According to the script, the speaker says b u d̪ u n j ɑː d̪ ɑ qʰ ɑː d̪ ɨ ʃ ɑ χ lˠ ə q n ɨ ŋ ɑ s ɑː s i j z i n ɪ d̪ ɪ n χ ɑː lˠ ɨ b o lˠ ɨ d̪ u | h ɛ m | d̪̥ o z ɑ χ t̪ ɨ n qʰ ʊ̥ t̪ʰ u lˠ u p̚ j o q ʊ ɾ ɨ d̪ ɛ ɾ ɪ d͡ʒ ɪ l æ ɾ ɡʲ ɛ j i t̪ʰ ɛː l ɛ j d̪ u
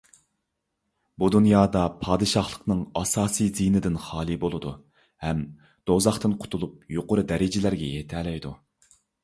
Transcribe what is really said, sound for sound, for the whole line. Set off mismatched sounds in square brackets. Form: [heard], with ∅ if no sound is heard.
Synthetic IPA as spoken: b u d̪ u n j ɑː d̪ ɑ [pʰ] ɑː d̪ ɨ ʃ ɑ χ lˠ ə q n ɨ ŋ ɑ s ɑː s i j z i n ɪ d̪ ɪ n χ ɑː lˠ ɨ b o lˠ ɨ d̪ u | h ɛ m | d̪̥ o z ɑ χ t̪ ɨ n qʰ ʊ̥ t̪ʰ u lˠ u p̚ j o q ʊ ɾ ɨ d̪ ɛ ɾ ɪ d͡ʒ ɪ l æ ɾ ɡʲ ɛ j [e] t̪ʰ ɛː l ɛ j d̪ u